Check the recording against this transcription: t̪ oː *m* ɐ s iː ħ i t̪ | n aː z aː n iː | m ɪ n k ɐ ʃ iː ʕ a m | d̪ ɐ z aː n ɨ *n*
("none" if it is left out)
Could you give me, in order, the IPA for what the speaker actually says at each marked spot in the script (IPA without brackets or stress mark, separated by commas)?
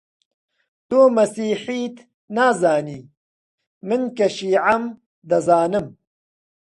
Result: m, m